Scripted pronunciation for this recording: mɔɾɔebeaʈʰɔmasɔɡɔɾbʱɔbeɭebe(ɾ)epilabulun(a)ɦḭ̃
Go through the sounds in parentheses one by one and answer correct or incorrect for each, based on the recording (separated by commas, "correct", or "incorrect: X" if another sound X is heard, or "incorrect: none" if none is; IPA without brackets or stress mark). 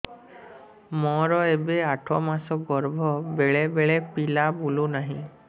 incorrect: ɭ, correct